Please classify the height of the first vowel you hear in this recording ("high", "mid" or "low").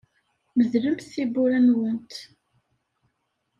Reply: mid